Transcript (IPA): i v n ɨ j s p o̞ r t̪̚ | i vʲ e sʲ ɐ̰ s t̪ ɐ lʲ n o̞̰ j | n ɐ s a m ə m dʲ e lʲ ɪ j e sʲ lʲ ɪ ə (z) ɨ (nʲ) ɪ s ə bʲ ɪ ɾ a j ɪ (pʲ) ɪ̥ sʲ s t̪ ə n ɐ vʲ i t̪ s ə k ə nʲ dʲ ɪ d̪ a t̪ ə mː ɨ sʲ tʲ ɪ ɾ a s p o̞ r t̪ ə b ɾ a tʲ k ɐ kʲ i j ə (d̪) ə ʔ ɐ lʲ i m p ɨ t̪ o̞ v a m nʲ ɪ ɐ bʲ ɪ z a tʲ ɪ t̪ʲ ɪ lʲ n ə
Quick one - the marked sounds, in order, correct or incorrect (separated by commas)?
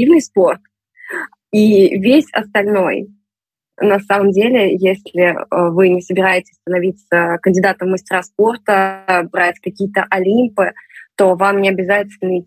incorrect, correct, incorrect, incorrect